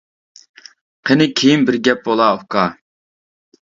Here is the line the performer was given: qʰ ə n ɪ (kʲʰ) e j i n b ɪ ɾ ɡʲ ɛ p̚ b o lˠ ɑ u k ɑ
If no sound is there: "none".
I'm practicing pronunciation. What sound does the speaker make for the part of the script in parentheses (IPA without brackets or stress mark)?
kʲʰ